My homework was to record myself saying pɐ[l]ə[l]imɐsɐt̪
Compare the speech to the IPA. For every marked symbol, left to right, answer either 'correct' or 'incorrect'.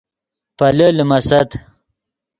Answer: correct, correct

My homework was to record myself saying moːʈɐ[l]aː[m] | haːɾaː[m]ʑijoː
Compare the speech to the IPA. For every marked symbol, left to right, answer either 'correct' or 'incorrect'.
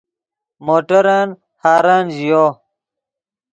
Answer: incorrect, incorrect, incorrect

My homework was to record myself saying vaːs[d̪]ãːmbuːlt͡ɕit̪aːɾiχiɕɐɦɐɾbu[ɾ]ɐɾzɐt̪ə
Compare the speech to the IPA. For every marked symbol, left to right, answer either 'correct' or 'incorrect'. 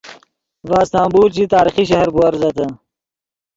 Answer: incorrect, incorrect

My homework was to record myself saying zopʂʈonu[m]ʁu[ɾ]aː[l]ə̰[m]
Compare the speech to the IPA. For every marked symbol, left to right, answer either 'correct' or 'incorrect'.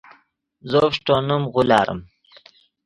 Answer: correct, incorrect, incorrect, correct

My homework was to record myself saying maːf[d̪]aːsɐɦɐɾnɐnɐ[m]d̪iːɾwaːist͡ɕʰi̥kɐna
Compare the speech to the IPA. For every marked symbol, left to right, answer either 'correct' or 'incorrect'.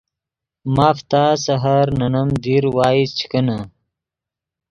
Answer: incorrect, correct

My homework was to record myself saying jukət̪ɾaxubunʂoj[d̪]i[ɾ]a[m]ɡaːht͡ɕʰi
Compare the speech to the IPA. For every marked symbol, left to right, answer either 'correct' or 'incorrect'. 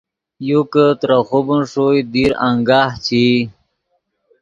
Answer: correct, correct, incorrect

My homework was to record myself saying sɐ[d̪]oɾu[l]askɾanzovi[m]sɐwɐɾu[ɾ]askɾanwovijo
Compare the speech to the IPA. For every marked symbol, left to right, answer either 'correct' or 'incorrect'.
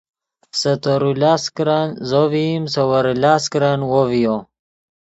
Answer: incorrect, correct, correct, incorrect

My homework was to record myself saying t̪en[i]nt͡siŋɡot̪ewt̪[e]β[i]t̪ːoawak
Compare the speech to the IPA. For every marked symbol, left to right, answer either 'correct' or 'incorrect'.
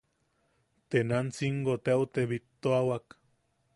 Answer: incorrect, correct, correct

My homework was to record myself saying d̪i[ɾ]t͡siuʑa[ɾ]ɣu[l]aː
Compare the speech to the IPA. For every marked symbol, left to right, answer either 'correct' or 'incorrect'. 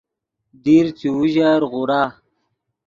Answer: correct, correct, incorrect

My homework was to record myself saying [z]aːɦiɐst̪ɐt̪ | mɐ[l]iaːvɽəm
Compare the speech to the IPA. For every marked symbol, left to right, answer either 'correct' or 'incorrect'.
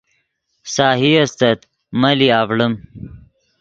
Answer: incorrect, correct

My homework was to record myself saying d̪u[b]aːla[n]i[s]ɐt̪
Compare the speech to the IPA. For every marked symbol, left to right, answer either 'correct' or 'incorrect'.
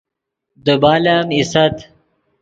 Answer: correct, incorrect, correct

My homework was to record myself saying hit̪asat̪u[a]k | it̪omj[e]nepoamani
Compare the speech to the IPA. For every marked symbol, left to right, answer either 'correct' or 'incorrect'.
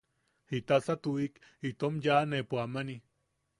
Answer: incorrect, incorrect

